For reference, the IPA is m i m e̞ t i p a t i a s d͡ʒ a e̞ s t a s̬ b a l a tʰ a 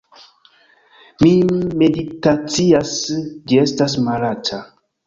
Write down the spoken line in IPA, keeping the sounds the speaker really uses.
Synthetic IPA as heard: m i m e̞ d i t a t͡s i a s d͡ʒ i e̞ s t a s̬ m a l a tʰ a